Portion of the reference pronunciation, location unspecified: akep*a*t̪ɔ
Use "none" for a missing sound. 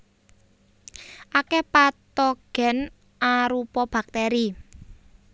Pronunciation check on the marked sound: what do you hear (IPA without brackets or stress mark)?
a